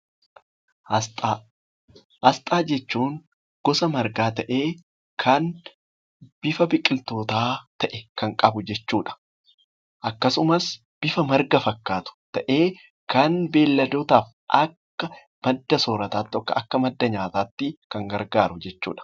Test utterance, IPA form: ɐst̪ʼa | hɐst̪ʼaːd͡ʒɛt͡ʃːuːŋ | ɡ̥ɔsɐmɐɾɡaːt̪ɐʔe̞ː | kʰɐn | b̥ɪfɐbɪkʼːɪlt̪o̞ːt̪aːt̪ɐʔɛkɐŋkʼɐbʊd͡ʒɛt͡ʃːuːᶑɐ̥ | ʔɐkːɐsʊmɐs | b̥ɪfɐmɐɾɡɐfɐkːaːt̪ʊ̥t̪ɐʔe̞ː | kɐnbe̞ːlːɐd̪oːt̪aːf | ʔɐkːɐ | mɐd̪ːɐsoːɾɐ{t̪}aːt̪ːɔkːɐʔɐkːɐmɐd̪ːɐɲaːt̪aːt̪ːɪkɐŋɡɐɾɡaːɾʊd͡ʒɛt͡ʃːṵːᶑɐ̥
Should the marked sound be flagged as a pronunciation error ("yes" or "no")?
no